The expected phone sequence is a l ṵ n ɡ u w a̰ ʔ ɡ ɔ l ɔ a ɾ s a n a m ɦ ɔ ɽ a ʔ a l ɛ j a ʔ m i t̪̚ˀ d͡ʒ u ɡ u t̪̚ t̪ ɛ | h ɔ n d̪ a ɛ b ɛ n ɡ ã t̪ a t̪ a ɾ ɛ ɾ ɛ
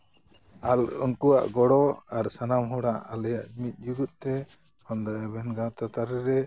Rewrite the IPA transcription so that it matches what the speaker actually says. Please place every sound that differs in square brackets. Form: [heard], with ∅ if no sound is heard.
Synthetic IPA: a l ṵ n [k] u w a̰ ʔ ɡ ɔ [ɽ] ɔ a ɾ s a n a m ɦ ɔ ɽ a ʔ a l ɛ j a ʔ m i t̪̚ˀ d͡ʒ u ɡ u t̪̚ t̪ ɛ | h ɔ n d̪ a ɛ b ɛ n ɡ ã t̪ a t̪ a ɾ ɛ ɾ ɛ